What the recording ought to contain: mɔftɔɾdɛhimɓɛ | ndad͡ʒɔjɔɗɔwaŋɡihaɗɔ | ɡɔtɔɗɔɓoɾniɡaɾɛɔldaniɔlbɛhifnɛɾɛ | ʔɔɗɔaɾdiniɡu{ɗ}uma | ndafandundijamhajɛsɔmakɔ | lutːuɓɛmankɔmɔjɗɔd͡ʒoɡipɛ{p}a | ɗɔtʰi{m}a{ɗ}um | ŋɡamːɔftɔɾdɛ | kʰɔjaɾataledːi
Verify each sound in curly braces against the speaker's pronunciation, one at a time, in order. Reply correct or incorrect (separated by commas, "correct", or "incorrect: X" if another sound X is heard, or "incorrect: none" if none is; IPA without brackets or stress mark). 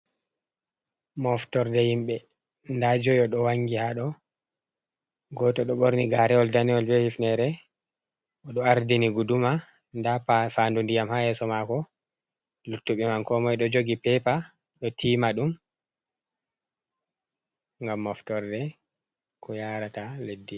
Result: incorrect: d, correct, correct, correct